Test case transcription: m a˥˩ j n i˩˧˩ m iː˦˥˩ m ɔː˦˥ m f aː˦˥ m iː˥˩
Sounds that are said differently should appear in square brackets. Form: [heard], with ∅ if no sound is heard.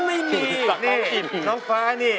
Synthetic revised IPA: m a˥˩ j [m] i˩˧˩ [n] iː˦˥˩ [n] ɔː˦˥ [ŋ] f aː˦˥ [n] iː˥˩

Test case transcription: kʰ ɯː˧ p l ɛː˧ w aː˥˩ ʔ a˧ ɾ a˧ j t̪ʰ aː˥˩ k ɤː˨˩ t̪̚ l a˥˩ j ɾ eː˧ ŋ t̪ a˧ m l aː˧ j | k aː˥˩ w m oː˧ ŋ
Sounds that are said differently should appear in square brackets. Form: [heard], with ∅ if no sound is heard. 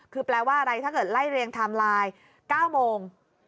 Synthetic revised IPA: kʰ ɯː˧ p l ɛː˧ w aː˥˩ ʔ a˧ ɾ a˧ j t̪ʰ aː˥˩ k ɤː˨˩ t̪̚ l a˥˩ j ɾ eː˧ ŋ [t̪ʰ] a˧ m l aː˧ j | k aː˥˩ w m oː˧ ŋ

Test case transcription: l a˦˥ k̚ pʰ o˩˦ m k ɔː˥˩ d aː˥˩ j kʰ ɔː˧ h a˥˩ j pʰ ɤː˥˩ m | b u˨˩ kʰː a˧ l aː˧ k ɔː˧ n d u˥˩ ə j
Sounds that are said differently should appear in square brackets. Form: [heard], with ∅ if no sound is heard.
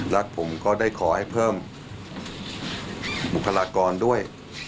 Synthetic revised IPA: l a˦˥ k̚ pʰ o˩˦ m k ɔː˥˩ d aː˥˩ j kʰ [ɔː˩˦] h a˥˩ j pʰ ɤː˥˩ m | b u˨˩ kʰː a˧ l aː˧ k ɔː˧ n d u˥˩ ə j

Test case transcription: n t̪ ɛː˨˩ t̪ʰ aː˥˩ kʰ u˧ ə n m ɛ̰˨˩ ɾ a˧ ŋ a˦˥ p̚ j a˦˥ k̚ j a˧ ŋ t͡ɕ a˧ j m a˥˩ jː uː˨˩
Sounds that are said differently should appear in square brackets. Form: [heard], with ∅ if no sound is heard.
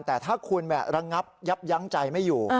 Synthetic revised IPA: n t̪ ɛː˨˩ t̪ʰ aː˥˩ kʰ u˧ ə n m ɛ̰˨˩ ɾ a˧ ŋ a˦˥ p̚ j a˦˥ [p̚] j [a˦˥] ŋ t͡ɕ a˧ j m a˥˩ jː uː˨˩

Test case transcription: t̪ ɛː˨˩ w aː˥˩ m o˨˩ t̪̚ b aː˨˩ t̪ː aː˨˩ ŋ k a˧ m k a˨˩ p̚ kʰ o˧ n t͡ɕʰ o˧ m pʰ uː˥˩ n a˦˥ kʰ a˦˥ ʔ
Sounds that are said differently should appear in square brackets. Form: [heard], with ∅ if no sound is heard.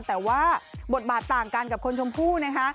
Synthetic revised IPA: t̪ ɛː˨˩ w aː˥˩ [b] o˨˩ t̪̚ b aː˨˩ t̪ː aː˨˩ ŋ k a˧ [n] k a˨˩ p̚ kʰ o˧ n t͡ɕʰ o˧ m pʰ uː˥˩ n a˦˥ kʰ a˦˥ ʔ

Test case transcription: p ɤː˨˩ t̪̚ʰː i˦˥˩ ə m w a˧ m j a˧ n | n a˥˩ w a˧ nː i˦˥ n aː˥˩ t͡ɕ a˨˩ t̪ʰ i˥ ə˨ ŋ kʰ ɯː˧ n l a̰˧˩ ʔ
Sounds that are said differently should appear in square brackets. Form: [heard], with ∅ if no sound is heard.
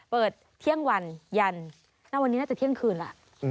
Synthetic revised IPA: p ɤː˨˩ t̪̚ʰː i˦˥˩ ə [ŋ] w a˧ [n] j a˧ n | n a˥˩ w a˧ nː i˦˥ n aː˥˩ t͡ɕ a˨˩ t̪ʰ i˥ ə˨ ŋ kʰ ɯː˧ n l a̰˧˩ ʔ

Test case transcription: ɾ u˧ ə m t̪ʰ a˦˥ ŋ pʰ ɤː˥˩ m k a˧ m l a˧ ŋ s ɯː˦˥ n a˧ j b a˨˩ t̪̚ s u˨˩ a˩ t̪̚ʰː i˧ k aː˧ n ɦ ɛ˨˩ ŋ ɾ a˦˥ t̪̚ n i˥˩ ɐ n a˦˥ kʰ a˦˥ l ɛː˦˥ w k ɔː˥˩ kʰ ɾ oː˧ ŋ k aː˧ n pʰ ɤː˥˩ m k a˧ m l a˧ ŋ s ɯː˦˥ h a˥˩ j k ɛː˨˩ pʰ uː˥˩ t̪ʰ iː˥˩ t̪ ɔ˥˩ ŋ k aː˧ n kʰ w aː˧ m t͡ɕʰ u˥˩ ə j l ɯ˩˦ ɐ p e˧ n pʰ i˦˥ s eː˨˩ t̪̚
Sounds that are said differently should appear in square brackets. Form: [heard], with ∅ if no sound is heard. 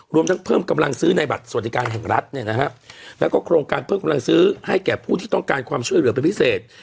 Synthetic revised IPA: ɾ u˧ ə m t̪ʰ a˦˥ ŋ pʰ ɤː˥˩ m k a˧ m l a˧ ŋ s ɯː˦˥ n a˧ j b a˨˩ t̪̚ s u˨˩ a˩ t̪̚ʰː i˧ k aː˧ n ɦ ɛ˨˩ ŋ ɾ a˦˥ t̪̚ n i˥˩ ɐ n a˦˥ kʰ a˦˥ l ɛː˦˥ w k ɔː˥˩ kʰ ɾ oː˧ ŋ k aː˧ n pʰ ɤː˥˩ m k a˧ m l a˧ ŋ s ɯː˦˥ h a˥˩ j k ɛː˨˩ pʰ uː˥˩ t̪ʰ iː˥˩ t̪ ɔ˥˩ ŋ k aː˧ n kʰ w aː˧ m t͡ɕʰ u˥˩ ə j l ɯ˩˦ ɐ p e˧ n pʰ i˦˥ s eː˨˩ t̪̚

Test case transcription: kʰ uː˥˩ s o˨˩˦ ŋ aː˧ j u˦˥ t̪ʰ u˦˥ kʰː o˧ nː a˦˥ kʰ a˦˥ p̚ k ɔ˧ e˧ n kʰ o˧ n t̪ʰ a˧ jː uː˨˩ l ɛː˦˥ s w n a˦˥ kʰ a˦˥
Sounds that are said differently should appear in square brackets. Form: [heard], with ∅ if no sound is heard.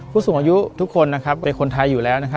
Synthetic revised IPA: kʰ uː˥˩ s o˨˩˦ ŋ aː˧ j u˦˥ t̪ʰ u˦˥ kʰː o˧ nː a˦˥ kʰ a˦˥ p̚ k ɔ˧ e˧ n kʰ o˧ n t̪ʰ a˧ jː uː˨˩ l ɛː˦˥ [∅] w n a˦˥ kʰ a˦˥

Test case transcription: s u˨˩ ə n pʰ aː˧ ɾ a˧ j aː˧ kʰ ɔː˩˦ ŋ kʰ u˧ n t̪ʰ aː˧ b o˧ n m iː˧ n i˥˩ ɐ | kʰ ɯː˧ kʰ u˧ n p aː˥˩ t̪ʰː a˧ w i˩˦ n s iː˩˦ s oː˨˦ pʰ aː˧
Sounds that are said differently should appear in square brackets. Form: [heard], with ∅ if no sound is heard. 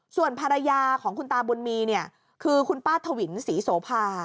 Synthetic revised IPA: s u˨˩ ə n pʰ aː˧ ɾ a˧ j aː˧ kʰ ɔː˩˦ ŋ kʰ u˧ n [t̪] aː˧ b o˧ n m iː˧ n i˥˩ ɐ | kʰ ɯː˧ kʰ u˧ n p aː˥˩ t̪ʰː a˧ w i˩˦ n s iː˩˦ s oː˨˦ pʰ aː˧

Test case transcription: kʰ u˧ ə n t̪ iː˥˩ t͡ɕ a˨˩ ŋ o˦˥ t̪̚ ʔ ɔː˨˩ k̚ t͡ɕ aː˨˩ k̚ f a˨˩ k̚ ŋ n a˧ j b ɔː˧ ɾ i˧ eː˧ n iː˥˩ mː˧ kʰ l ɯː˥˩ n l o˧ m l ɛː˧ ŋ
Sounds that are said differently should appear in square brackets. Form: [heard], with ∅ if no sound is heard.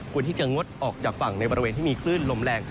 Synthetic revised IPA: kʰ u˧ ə n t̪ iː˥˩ t͡ɕ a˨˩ ŋ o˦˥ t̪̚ ʔ ɔː˨˩ k̚ t͡ɕ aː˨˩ k̚ f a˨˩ [∅] ŋ n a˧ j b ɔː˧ ɾ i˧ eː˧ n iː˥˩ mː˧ kʰ l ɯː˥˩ n l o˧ m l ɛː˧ ŋ

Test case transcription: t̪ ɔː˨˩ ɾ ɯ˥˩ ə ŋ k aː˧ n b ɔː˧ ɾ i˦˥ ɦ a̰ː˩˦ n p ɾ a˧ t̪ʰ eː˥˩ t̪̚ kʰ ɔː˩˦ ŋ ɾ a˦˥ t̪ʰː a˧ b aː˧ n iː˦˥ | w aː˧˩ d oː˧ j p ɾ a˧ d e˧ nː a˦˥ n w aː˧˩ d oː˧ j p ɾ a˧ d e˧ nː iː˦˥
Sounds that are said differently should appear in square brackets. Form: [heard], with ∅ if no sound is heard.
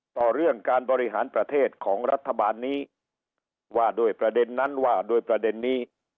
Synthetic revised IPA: t̪ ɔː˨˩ ɾ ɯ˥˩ ə ŋ k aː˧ n b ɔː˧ ɾ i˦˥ ɦ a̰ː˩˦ n p ɾ a˧ t̪ʰ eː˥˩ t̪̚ kʰ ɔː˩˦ ŋ ɾ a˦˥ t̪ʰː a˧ b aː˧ [nː] iː˦˥ | w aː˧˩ d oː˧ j p ɾ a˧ d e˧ nː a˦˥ n w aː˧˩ d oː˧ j p ɾ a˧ d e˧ nː iː˦˥

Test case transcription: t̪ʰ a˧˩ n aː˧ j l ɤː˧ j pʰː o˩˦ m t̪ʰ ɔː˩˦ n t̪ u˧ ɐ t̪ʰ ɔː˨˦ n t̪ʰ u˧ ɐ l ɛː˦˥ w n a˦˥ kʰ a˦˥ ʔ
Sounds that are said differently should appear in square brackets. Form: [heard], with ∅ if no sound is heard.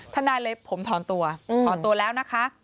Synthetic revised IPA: t̪ʰ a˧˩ n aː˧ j l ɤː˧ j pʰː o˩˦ m t̪ʰ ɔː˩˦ n t̪ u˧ ɐ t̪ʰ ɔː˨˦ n [t̪] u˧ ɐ l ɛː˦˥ w n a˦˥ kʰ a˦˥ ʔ

